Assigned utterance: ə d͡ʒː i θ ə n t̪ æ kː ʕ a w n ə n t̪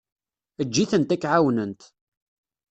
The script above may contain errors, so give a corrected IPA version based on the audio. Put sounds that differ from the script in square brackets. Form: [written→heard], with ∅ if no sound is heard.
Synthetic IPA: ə d͡ʒː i θ ə n t̪ æ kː ʕ a w n ə n t̪